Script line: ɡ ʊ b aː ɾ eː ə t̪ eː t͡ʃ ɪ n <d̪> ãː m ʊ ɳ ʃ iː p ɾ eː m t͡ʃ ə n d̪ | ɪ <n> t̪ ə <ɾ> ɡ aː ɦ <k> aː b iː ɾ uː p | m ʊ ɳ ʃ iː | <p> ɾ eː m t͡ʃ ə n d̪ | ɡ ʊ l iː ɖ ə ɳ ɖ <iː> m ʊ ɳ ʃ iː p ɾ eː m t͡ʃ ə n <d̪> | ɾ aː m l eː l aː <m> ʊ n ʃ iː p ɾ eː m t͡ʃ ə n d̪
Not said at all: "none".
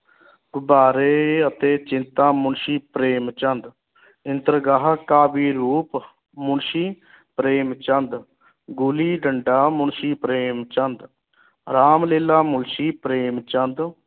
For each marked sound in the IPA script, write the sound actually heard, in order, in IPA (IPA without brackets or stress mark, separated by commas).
t̪, n, ɾ, k, p, aː, d̪, m